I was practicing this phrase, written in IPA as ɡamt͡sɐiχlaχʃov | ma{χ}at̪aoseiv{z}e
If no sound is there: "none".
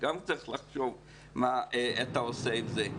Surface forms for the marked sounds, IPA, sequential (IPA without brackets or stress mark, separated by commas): none, z